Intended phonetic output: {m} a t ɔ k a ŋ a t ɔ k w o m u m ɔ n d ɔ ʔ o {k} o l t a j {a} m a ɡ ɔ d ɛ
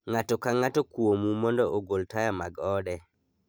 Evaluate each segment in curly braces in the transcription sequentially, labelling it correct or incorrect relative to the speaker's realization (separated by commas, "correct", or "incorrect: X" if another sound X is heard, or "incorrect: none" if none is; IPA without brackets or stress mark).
incorrect: ŋ, incorrect: ɡ, correct